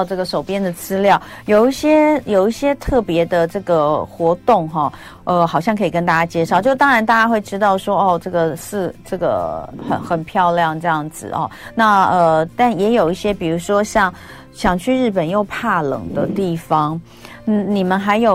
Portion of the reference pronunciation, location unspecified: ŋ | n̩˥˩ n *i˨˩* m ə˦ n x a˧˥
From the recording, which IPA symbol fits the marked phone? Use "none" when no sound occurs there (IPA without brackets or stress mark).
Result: i˨˩